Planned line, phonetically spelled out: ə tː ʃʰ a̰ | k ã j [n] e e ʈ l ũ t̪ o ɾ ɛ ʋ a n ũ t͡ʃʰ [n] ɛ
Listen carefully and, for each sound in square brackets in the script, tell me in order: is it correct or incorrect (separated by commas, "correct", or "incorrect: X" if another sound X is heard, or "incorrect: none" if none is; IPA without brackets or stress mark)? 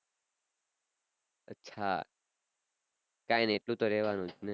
correct, correct